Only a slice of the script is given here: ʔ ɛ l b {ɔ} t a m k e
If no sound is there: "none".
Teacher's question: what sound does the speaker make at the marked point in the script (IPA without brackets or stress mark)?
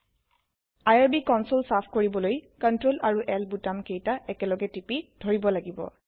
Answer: u